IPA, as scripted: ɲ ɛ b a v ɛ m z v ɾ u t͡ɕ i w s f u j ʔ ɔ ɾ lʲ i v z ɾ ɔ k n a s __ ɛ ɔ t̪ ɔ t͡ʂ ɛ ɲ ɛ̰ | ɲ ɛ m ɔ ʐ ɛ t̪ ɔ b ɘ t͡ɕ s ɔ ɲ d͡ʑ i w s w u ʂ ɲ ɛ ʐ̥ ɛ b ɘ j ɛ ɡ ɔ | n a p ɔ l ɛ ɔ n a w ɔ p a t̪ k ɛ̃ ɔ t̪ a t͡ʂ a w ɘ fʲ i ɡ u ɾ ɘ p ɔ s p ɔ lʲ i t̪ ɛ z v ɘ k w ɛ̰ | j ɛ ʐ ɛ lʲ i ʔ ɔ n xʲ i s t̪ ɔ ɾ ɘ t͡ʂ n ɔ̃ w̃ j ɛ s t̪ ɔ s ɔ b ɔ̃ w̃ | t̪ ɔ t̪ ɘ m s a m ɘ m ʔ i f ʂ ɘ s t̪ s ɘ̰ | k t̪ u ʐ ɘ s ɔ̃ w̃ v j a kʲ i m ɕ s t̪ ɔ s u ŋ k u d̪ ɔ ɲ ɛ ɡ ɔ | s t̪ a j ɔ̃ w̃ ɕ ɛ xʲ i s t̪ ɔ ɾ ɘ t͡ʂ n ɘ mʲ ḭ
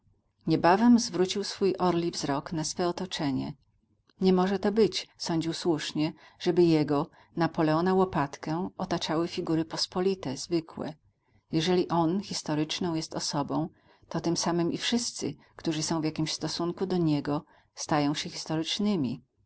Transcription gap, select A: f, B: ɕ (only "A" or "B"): A